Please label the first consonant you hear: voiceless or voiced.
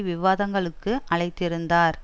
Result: voiced